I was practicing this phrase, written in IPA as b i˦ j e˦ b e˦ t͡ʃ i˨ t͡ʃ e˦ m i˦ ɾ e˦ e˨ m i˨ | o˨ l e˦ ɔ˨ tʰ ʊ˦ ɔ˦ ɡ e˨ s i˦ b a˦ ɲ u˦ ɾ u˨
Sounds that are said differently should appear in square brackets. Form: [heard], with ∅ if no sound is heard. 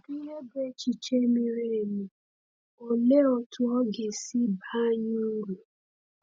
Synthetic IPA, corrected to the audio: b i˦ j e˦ b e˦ t͡ʃ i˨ t͡ʃ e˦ m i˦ ɾ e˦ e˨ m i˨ | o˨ l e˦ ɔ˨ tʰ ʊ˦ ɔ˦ ɡ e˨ s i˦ b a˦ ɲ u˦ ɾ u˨